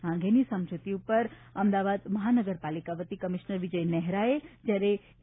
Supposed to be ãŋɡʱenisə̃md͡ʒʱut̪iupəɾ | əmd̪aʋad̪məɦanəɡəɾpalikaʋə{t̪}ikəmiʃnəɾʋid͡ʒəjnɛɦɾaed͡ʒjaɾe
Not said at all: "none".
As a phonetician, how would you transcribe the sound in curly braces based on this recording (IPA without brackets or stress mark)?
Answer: t̪